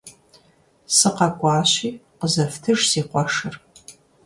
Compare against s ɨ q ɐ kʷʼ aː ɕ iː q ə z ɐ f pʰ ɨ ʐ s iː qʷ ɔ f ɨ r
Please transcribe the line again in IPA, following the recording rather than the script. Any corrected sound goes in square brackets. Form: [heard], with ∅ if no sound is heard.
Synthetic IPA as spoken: s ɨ q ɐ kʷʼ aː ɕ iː q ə z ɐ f [tʰ] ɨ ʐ s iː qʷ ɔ [ʂ] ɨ r